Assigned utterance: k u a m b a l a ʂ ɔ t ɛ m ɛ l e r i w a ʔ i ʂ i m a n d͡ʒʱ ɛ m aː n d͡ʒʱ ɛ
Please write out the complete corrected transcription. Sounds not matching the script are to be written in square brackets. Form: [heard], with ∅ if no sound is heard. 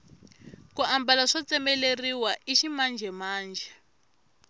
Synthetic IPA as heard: k u a m b a l a ʂ ɔ [t͡s] ɛ m ɛ l e r i w a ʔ i [ʃ] i m a n d͡ʒʱ ɛ m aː n d͡ʒʱ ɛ